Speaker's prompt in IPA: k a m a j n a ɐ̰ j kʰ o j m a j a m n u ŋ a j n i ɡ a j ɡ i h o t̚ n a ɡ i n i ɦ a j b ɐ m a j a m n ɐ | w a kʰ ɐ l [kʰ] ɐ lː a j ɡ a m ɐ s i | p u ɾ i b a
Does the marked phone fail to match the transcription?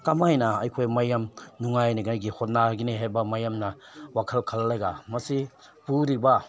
no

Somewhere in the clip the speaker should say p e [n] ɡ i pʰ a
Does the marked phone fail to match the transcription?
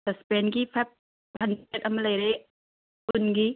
no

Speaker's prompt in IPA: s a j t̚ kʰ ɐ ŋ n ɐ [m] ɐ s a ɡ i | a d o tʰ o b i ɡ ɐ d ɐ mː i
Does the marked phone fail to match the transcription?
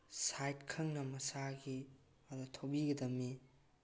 no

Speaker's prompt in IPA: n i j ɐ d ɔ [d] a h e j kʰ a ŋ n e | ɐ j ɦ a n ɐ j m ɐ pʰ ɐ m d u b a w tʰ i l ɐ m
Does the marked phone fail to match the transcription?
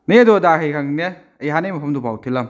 no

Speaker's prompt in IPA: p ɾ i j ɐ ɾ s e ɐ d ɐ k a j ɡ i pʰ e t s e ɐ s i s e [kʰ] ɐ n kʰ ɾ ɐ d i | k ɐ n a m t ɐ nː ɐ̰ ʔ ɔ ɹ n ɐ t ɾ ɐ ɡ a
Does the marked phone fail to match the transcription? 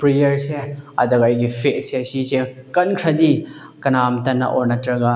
yes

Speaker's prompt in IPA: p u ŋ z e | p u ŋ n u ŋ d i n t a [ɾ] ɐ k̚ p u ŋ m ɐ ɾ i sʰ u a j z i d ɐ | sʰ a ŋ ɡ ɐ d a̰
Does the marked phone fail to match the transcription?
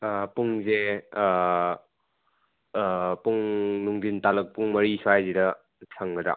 yes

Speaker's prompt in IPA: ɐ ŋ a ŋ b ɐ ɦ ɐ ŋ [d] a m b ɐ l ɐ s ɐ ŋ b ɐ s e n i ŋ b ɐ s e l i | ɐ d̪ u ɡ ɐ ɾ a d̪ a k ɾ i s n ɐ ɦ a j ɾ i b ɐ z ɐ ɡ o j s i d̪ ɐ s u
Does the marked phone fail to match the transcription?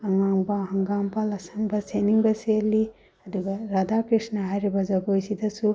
yes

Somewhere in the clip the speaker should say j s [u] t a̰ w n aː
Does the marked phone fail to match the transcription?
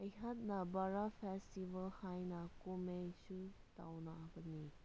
no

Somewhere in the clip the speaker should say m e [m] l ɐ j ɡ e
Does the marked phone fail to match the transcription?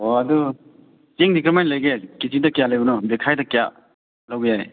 yes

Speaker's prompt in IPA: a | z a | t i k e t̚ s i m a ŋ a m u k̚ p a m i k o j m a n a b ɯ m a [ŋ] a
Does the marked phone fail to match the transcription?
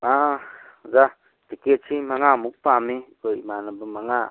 no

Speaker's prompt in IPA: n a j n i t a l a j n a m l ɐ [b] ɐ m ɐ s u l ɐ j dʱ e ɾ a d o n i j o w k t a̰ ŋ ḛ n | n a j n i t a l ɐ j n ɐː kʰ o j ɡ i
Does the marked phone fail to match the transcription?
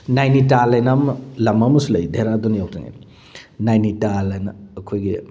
yes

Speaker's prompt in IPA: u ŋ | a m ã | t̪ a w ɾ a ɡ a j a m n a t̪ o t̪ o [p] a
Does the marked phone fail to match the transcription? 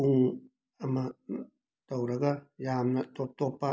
no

